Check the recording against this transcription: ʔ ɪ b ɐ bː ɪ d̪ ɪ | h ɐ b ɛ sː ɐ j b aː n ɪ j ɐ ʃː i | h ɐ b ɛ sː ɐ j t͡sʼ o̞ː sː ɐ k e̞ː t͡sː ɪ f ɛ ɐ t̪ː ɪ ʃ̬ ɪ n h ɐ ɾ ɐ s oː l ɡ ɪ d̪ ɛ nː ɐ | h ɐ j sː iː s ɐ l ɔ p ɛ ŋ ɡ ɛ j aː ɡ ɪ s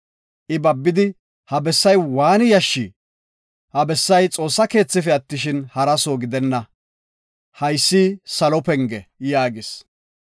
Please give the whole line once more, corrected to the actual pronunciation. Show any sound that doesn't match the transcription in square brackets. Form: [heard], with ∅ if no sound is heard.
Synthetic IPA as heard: ʔ ɪ b ɐ bː ɪ d̪ ɪ | h ɐ b ɛ sː ɐ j [w] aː n ɪ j ɐ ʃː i | h ɐ b ɛ sː ɐ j t͡sʼ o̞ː sː ɐ k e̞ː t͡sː ɪ f ɛ ɐ t̪ː ɪ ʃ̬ ɪ n h ɐ ɾ ɐ s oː [∅] ɡ ɪ d̪ ɛ nː ɐ | h ɐ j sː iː s ɐ l ɔ p ɛ ŋ ɡ ɛ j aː ɡ ɪ s